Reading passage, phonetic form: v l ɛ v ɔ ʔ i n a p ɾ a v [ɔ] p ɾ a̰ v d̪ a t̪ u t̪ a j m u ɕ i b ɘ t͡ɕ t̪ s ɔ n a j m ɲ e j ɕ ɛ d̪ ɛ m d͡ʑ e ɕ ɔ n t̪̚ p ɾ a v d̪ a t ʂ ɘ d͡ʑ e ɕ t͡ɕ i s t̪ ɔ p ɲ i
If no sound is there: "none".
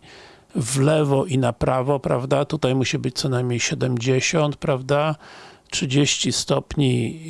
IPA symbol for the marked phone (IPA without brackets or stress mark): ɔ